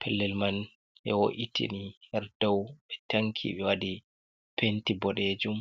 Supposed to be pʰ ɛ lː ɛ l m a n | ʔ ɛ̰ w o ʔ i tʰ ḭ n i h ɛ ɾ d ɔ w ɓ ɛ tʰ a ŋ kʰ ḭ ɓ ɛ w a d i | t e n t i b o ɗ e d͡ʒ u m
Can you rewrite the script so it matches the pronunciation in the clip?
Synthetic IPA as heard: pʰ ɛ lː ɛ l m a n | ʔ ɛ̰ w o ʔ i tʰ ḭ n i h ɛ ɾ d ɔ w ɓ ɛ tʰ a ŋ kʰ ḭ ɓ ɛ w a d i | p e n t i b ɔ ɗ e d͡ʒ u m